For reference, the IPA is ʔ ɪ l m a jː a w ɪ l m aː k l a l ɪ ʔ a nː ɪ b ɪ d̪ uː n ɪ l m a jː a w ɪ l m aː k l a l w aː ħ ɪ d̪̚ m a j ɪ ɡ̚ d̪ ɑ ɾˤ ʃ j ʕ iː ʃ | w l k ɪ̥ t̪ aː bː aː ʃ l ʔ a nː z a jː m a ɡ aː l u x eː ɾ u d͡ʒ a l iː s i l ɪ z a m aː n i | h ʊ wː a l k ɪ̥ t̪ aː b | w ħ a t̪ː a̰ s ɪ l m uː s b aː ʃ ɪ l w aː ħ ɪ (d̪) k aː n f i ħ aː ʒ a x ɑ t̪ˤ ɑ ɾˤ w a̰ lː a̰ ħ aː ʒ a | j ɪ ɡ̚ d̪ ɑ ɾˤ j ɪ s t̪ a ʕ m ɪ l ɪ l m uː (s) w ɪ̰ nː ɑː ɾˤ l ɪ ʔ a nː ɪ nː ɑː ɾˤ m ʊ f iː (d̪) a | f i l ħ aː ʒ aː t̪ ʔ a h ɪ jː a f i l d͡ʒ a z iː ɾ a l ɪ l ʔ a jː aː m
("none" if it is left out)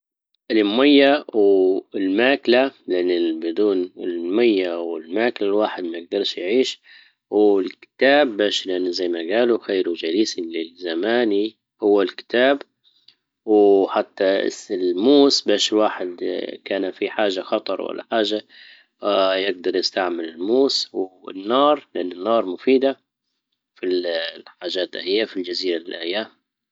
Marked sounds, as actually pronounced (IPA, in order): d̪, s, d̪

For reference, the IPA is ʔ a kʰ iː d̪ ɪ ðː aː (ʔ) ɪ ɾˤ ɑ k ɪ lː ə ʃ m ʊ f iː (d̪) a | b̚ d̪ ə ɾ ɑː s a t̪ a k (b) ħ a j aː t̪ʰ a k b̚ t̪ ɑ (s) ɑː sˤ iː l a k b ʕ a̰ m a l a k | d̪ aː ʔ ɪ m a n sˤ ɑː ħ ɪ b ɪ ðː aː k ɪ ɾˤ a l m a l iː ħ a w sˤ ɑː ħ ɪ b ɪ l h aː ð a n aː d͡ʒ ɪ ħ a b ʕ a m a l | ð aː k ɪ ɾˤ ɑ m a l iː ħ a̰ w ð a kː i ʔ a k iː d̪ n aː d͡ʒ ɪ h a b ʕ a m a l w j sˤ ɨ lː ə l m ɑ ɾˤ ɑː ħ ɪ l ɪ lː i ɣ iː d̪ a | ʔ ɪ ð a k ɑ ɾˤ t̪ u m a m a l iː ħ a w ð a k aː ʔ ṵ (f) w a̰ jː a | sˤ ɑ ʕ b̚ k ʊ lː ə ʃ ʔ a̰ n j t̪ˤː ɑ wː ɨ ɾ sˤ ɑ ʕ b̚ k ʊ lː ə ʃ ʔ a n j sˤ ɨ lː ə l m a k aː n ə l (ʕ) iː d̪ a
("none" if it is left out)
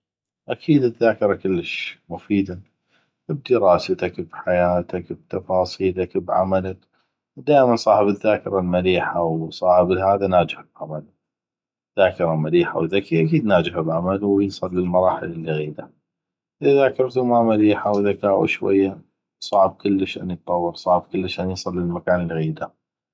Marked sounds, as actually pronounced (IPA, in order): k, d̪, b, f, ʃ, ɣ

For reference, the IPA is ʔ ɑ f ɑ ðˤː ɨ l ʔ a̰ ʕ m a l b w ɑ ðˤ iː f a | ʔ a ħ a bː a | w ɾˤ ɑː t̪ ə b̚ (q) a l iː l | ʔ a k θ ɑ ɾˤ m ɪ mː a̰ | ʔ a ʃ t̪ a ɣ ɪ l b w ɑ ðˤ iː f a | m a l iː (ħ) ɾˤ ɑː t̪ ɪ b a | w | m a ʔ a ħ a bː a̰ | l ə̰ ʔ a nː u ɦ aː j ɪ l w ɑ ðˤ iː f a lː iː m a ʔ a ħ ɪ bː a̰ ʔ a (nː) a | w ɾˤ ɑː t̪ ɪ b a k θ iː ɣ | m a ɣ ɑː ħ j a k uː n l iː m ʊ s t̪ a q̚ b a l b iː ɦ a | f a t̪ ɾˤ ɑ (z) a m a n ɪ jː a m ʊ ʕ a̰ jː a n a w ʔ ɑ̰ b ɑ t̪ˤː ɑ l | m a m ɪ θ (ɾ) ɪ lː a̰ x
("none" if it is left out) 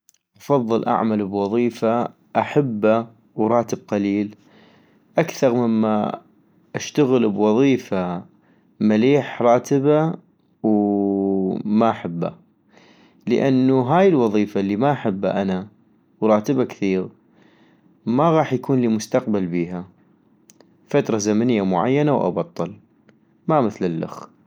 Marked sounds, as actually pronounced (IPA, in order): q, ħ, n, z, l

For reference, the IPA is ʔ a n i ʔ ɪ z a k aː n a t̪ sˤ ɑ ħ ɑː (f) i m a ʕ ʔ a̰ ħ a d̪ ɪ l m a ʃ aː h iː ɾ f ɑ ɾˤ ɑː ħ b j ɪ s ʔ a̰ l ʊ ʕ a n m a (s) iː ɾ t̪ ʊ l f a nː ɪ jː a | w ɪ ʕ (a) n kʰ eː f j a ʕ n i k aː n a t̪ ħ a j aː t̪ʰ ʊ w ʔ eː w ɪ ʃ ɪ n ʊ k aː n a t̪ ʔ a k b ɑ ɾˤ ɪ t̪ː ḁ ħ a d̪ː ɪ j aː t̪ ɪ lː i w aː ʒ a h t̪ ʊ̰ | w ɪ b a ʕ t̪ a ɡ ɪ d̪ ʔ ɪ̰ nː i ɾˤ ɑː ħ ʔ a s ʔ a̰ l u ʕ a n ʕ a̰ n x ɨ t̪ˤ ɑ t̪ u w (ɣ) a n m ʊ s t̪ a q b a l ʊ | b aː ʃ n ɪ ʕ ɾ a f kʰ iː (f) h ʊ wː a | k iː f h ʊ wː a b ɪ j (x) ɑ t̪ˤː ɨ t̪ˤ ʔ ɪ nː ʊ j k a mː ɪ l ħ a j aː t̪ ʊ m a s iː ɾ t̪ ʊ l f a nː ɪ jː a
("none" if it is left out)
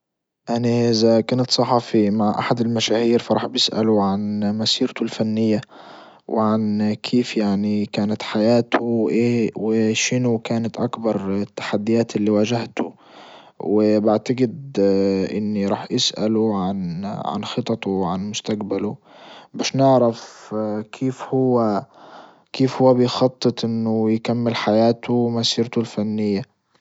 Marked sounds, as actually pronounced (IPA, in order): f, s, a, ʕ, f, x

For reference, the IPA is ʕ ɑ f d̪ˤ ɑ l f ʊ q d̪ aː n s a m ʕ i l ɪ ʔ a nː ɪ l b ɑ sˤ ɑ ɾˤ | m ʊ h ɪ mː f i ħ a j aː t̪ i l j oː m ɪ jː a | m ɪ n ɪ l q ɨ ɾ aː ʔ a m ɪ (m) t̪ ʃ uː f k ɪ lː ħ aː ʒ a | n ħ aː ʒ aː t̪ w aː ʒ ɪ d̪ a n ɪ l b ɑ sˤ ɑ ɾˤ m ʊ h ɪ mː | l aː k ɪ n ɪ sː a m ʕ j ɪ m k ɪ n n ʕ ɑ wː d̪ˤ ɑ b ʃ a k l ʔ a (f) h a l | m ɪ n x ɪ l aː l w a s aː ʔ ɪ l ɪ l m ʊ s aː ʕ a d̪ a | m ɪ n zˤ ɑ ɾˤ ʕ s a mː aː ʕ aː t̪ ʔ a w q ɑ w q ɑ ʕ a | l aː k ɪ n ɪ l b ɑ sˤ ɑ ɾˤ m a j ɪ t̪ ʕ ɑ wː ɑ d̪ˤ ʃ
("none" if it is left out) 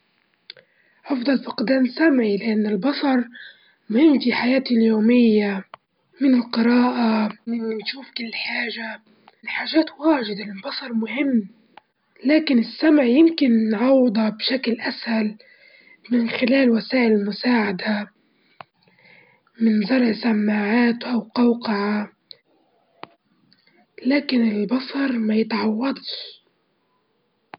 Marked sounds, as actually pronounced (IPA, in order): n, s

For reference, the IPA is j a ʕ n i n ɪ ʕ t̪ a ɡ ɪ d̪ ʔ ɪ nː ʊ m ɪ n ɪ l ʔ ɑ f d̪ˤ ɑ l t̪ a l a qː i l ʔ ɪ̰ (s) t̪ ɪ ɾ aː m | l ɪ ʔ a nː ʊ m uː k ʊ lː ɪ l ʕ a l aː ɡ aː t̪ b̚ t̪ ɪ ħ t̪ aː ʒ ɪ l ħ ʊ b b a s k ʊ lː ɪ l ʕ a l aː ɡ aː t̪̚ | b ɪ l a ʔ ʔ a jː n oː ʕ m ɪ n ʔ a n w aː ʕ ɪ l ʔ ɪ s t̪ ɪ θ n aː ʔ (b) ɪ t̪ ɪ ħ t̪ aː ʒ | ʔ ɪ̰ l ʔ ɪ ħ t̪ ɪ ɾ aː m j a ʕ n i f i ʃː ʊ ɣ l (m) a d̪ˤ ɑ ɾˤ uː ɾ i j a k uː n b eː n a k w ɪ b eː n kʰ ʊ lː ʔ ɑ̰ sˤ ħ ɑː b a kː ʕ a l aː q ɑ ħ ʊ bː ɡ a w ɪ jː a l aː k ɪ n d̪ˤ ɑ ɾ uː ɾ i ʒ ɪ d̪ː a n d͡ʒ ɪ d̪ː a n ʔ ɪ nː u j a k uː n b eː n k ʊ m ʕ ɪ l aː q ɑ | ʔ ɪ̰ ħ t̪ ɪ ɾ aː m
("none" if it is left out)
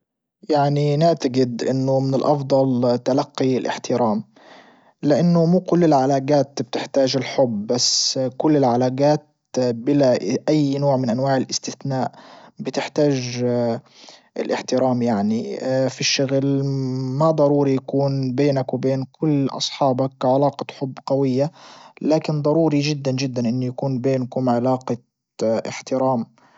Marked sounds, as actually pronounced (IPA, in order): ħ, b, m

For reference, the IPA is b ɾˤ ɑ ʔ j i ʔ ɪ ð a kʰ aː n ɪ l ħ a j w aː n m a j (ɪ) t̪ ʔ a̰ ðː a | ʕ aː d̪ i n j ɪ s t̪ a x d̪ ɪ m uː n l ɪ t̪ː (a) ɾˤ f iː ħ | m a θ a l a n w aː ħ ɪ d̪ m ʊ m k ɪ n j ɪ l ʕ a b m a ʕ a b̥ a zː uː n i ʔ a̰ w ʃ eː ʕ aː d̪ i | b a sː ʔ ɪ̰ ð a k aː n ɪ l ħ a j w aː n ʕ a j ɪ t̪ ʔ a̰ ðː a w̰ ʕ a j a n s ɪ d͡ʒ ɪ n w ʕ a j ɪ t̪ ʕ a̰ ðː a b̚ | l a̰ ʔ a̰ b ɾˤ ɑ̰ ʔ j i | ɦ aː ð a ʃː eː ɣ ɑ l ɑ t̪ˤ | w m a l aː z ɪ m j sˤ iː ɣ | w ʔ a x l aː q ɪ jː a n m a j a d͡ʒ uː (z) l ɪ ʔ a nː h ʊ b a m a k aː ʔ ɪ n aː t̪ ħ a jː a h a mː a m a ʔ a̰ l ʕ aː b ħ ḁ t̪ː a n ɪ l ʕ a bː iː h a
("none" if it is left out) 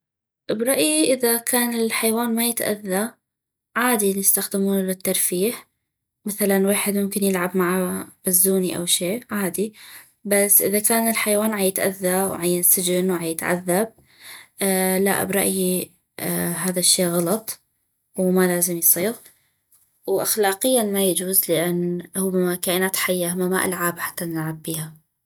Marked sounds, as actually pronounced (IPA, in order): ɪ, ɑ, z

